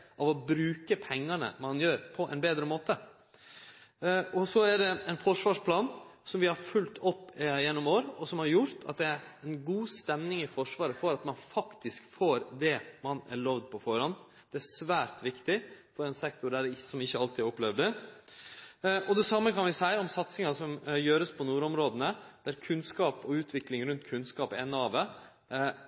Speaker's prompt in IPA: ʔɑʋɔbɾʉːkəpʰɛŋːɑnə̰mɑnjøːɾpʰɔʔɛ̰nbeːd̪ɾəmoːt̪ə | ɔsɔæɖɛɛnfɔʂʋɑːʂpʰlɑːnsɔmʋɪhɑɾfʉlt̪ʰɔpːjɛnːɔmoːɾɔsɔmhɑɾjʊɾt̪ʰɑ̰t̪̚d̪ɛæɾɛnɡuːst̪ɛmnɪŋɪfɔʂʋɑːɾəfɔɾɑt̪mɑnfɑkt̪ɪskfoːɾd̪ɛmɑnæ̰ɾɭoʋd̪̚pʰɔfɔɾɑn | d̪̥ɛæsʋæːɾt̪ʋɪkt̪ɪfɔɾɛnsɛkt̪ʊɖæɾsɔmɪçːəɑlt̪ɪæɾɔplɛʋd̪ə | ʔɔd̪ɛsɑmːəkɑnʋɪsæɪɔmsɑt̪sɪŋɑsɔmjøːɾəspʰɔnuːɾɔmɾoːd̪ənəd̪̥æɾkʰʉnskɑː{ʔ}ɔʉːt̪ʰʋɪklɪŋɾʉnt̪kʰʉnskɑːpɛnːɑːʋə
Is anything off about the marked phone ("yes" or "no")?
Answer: yes